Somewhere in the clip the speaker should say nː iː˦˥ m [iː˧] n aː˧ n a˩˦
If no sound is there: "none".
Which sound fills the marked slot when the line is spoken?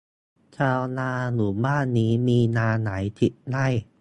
iː˧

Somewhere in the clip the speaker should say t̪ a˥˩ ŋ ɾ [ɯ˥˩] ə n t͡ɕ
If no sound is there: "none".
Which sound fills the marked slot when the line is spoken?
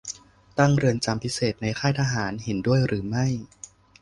ɯ˧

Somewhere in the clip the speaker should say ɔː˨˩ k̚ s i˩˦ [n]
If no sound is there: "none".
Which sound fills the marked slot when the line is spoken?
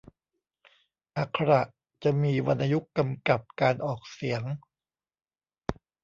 ŋ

